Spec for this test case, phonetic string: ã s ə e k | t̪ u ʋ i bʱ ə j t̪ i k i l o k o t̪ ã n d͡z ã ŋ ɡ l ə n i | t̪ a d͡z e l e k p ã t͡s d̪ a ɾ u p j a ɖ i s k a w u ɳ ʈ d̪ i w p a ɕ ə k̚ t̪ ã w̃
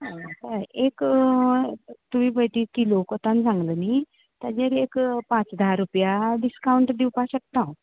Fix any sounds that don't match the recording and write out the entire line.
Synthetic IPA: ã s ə e k | t̪ u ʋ i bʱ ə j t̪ i k i l o k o t̪ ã n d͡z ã ŋ ɡ l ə n i | t̪ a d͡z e ɾ e k p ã t͡s d̪ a ɾ u p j a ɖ i s k a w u ɳ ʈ d̪ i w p a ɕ ə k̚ t̪ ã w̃

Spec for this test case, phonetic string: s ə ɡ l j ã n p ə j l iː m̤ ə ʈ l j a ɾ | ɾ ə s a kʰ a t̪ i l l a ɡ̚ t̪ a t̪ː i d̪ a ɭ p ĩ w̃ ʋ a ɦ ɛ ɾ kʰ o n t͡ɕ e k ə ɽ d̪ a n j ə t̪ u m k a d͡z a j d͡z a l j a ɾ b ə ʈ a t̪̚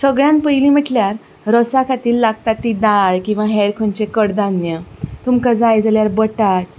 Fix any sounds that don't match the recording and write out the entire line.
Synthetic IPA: s ə ɡ ɭ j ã n p ə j l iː m̤ ə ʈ l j a ɾ | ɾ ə s a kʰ a t̪ iː l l a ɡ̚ t̪ a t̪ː i d̪ a ɭ k ĩ w̃ ʋ a ɦ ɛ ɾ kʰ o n t͡ɕ e k ə ɽ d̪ a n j ə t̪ u m k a d͡z a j d͡z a l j a ɾ b ə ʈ a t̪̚

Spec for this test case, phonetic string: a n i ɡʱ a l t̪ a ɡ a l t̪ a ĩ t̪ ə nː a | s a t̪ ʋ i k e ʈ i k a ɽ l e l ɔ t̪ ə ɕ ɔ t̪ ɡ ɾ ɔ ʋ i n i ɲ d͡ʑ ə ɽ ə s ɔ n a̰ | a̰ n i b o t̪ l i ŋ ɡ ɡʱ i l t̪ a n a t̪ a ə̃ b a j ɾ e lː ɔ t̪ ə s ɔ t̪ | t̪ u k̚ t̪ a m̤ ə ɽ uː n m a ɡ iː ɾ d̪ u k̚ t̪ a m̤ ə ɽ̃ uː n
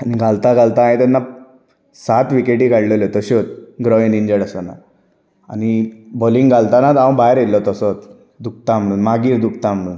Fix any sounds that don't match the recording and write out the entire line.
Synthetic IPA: a n i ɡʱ a l t̪ a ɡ a l t̪ a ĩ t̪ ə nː a | s a t̪ ʋ i k e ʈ i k a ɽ l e l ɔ t̪ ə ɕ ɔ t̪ ɡ ɾ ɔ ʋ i n i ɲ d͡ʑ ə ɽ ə s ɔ n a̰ | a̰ n i b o l i ŋ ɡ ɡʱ a l t̪ a n a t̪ a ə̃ b a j ɾ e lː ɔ t̪ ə s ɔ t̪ | d̪ u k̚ t̪ a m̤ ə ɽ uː n m a ɡ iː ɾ d̪ u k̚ t̪ a m̤ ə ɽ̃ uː n

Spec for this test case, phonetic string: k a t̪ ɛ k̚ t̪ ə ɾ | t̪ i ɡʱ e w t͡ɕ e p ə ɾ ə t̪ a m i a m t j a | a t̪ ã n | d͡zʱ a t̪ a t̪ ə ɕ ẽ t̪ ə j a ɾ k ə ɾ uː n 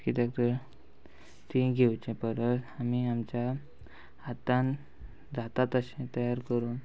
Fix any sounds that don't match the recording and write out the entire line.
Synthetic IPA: k i t̪ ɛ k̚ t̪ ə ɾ | t̪ i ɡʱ e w t͡ɕ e p ə ɾ ə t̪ a m i a m t͡ɕ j a | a t̪ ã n | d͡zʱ a t̪ a t̪ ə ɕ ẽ t̪ ə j a ɾ k ə ɾ uː n

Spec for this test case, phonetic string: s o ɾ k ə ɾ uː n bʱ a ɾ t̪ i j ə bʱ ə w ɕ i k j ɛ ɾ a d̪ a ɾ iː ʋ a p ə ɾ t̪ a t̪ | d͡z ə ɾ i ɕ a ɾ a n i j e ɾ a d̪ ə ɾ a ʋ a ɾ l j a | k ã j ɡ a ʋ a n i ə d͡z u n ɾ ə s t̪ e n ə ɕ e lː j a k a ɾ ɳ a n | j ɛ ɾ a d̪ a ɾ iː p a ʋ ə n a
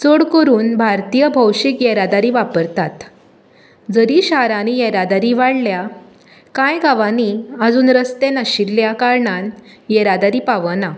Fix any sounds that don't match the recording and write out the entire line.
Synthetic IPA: t͡s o ɽ k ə ɾ uː n bʱ a ɾ t̪ i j ə bʱ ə w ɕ i k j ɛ ɾ a d̪ a ɾ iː ʋ a p ə ɾ t̪ a t̪ | d͡z ə ɾ i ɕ a ɾ a n i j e ɾ a d̪ a ɾ i ʋ a ɽ l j a | k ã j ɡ a ʋ a n i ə d͡z uː n ɾ ə s t̪ e n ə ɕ i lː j a k a ɾ ɳ a n | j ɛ ɾ a d̪ a ɾ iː p a ʋ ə n a

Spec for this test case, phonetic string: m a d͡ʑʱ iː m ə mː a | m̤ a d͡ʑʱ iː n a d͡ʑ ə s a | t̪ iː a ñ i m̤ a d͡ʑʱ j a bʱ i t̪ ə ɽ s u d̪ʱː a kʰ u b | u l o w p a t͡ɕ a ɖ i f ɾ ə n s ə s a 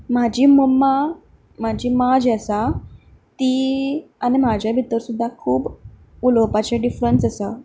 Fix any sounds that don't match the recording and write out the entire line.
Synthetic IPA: m a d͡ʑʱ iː m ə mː a | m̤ a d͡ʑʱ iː m a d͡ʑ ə s a | t̪ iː a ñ i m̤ a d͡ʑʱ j a bʱ i t̪ ə ɾ s u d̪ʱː a kʰ uː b | u l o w p a t͡ɕ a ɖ i f ɾ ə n s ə s a

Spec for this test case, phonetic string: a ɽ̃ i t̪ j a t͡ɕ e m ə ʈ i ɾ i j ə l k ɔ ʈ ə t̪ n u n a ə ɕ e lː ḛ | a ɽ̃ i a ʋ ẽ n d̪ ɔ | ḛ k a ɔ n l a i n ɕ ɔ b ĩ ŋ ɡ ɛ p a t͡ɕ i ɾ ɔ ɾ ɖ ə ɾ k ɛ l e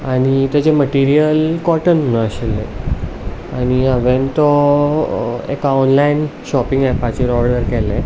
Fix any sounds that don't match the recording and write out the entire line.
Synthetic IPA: a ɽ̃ i t̪ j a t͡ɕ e m ə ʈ i ɾ i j ə l k ɔ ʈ ə n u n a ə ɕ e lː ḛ | a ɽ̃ i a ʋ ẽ n t̪ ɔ | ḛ k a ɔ n l a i n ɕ ɔ p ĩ ŋ ɡ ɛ p a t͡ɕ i ɾ ɔ ɾ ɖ ə ɾ k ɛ l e

